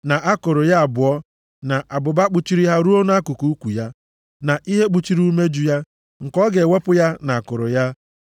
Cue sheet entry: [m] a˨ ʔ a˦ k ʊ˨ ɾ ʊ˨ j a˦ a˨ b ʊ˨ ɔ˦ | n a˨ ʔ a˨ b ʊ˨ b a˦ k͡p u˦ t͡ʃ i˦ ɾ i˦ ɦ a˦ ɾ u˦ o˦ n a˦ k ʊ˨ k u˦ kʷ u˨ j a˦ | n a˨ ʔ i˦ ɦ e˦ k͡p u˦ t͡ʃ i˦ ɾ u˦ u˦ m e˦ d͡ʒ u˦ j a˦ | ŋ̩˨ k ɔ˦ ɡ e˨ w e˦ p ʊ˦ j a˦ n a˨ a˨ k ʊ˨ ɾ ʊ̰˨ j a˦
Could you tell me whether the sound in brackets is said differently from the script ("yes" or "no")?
yes